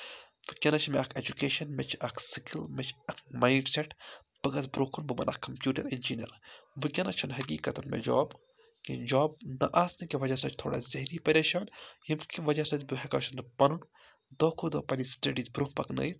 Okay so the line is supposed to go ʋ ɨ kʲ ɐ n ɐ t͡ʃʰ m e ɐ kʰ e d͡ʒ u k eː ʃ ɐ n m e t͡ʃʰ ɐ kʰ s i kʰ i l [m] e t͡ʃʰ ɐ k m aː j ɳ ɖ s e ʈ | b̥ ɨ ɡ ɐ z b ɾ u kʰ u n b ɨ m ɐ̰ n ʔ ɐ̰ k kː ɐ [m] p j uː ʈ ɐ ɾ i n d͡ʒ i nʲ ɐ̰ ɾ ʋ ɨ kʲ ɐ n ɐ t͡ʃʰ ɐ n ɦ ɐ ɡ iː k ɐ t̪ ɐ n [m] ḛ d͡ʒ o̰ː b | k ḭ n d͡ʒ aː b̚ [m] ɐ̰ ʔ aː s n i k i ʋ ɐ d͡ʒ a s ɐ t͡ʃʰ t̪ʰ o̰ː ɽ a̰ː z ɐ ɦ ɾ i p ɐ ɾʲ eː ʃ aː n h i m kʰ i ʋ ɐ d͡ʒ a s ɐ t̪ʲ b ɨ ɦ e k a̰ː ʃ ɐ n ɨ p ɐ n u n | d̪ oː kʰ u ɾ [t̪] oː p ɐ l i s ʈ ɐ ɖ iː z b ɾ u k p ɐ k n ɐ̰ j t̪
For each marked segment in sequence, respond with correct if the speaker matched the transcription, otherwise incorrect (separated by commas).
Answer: correct, correct, correct, incorrect, incorrect